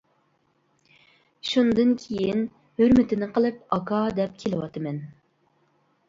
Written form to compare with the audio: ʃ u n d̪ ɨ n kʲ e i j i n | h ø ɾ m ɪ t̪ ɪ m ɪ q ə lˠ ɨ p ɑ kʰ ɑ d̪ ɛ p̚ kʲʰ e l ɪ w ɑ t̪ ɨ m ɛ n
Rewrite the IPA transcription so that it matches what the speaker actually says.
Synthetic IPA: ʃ u n d̪ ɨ n kʲʰ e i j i n | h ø ɾ m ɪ t̪ ɪ n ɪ q ə lˠ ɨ p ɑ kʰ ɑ d̪ ɛ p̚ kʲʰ e l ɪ w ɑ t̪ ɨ m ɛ n

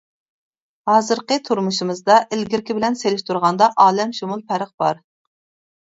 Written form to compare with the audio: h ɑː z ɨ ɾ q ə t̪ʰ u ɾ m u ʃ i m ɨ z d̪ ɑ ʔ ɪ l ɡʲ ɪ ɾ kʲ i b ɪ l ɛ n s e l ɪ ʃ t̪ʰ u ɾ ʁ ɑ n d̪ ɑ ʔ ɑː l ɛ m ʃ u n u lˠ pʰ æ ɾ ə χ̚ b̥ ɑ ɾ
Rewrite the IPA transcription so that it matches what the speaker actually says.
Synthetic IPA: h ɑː z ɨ ɾ q ə t̪ʰ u ɾ m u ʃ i m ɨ z d̪ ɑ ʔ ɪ l ɡʲ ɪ ɾ kʲ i b ɪ l ɛ n s e l ɪ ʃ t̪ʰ u ɾ ʁ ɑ n d̪ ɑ ʔ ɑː l ɛ m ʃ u m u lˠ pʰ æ ɾ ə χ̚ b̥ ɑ ɾ

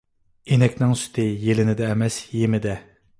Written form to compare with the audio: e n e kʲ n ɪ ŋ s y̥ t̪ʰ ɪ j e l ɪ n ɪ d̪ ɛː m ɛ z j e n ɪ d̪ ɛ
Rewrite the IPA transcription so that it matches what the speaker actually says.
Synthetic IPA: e n ɛ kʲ n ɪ ŋ s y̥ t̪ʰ ɪ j e l ɪ n ɪ d̪ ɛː m ɛ s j e m ɪ d̪ ɛ

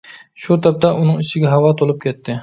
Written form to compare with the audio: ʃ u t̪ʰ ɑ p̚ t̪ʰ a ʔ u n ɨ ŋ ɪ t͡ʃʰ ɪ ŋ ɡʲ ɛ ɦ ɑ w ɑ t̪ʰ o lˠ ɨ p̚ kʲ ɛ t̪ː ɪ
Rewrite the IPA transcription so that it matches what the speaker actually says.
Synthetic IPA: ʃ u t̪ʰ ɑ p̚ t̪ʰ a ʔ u n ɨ ŋ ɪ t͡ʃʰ ɪ ɡʲ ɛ ɦ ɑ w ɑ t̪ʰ o lˠ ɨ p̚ kʲ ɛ t̪ː ɪ

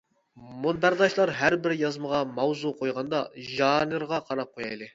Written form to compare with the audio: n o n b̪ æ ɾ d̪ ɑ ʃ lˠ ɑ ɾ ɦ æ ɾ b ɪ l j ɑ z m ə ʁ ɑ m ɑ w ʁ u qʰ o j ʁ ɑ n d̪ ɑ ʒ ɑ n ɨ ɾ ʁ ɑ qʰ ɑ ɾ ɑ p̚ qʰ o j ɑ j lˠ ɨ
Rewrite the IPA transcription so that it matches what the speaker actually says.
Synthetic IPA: m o n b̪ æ ɾ d̪ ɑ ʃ lˠ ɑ ɾ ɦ æ ɾ b ɪ ɾ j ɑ z m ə ʁ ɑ m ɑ w z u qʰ o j ʁ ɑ n d̪ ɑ ʒ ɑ n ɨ ɾ ʁ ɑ qʰ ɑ ɾ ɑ p̚ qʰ o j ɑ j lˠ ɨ

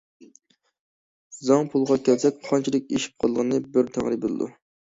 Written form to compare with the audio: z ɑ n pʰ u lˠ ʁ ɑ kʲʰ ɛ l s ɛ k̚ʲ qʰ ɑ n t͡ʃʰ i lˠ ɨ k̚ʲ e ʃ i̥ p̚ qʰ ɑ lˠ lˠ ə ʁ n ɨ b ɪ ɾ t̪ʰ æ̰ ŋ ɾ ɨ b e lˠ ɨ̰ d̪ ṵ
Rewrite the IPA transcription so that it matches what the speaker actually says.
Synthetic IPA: z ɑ ŋ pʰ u lˠ ʁ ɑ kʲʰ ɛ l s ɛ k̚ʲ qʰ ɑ n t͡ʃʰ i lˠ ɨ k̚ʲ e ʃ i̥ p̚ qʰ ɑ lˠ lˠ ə ʁ n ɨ b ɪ ɾ t̪ʰ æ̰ ŋ ɾ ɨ b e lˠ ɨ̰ d̪ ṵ

